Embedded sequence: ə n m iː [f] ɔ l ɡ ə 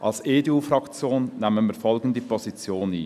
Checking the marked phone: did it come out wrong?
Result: no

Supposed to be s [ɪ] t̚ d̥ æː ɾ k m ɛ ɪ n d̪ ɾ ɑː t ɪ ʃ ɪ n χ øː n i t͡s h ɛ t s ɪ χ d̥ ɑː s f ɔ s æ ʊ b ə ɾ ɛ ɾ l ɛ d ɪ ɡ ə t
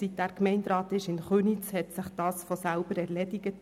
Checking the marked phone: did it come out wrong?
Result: yes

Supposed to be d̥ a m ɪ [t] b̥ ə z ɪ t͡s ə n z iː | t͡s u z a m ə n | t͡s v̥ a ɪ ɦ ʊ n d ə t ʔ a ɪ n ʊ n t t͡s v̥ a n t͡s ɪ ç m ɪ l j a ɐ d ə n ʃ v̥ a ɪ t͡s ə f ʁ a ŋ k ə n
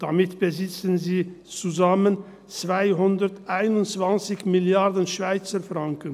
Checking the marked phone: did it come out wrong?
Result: no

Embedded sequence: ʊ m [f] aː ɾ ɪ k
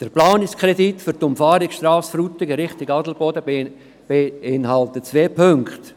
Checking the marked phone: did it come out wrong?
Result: no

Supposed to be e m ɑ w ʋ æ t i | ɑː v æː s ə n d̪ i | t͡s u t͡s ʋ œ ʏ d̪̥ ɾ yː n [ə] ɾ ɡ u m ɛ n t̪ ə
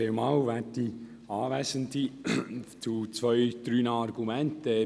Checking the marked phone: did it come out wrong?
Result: yes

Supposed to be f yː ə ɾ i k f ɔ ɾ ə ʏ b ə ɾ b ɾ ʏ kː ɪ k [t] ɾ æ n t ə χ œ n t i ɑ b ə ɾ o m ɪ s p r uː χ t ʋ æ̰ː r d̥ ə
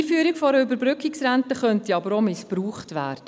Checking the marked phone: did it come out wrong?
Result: yes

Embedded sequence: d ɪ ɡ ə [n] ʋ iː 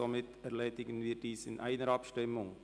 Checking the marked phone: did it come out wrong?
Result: no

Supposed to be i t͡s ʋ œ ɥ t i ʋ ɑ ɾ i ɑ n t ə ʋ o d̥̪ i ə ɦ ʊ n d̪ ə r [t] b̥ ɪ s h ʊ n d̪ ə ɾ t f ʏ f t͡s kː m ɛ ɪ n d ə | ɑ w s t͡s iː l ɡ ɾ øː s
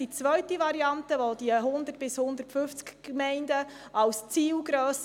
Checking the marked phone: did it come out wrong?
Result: no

